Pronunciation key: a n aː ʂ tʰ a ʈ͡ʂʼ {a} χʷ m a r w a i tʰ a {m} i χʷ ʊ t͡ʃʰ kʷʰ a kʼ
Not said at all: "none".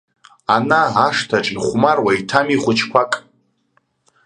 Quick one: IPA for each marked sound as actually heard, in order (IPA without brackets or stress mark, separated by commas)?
i, m